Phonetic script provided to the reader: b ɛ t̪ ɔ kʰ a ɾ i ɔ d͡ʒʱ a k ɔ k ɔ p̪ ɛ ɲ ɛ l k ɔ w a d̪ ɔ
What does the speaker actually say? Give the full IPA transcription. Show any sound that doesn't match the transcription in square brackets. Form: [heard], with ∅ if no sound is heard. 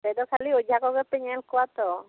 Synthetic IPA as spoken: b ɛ [d̪] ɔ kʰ a [l] i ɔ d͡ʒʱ a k ɔ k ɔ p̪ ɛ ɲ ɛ l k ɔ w a [t̪] ɔ

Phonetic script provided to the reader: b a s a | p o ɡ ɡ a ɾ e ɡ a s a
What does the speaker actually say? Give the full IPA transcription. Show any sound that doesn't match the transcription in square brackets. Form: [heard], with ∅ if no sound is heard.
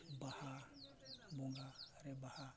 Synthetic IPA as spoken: b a [h] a | [b] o [ŋ] ɡ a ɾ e [b] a [h] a

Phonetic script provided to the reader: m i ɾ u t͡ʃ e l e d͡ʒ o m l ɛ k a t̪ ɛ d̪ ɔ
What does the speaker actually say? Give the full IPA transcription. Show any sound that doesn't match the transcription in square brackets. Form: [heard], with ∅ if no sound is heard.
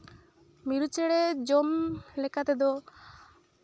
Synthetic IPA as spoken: m i ɾ u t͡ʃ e [ɽ] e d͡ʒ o m l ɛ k a t̪ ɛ d̪ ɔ

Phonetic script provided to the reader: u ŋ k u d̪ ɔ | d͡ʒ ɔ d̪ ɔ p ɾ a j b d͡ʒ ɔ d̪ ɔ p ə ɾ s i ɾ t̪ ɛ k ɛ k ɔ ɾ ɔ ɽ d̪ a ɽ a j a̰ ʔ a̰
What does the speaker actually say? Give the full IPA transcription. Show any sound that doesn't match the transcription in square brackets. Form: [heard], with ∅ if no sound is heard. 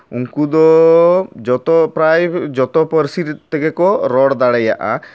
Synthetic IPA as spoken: u ŋ k u d̪ ɔ | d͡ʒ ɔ [t̪] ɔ p ɾ a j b d͡ʒ ɔ [t̪] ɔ p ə ɾ s i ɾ t̪ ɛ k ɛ k ɔ ɾ ɔ ɽ d̪ a ɽ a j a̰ ʔ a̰

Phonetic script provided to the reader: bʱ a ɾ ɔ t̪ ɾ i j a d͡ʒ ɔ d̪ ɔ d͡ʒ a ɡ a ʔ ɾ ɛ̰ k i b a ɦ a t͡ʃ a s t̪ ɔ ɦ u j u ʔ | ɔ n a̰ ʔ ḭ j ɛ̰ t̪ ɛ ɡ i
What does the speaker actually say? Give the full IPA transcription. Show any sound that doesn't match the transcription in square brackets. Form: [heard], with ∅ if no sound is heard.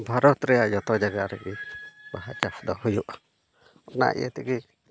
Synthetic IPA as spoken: bʱ a ɾ ɔ t̪ ɾ [ɛ] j a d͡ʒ ɔ [t̪] ɔ d͡ʒ a ɡ a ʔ ɾ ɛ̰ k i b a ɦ a t͡ʃ a s [d̪] ɔ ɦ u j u ʔ | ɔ n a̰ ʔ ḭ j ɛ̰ t̪ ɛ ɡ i

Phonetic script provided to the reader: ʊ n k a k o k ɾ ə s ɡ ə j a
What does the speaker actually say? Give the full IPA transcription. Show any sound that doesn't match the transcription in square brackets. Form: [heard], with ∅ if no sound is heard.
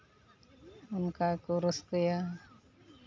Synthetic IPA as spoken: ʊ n k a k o [∅] ɾ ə s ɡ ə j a

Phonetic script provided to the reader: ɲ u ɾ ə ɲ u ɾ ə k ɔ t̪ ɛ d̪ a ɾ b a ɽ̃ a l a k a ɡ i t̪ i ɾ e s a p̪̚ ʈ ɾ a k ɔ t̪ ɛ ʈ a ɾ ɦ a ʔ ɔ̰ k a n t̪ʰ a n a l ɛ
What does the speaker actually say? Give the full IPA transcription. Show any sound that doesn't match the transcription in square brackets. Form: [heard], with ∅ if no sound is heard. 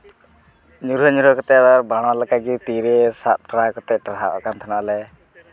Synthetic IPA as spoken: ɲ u ɾ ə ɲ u ɾ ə k ɔ t̪ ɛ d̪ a ɾ b a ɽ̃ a l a k a ɡ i t̪ i ɾ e s a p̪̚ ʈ ɾ a k ɔ t̪ ɛ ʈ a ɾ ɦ a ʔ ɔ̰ k a n t̪ʰ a n a l ɛ

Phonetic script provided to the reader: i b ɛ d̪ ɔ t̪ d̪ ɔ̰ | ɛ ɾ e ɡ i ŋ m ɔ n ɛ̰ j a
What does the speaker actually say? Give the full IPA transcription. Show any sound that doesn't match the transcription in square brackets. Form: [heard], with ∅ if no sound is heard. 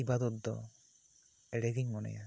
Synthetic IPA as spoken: i b [a] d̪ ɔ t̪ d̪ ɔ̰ | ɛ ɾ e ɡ i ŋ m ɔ n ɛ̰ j a

